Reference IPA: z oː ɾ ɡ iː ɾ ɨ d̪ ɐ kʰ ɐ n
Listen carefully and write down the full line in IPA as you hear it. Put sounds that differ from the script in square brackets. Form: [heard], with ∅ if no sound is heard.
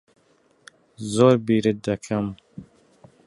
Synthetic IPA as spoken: z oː ɾ [b] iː ɾ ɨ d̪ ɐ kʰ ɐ [m]